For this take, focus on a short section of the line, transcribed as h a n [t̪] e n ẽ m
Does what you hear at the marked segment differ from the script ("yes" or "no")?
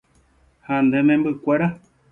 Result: yes